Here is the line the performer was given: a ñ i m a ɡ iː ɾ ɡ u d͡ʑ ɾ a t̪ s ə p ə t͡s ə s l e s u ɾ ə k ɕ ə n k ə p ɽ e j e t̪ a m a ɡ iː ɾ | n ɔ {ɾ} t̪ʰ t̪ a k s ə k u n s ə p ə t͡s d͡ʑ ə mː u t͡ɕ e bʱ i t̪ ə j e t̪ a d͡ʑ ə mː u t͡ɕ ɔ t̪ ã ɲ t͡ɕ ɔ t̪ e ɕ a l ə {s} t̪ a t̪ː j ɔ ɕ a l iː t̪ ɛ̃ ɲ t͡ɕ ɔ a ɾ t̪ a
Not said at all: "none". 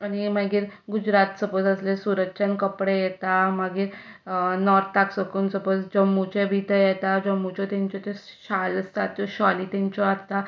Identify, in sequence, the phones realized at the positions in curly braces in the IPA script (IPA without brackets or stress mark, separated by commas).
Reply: ɾ, s